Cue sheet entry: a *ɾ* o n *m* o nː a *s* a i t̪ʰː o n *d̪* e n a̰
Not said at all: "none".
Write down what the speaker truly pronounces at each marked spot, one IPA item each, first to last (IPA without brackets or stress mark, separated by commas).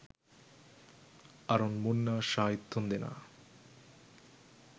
ɾ, m, ʃ, d̪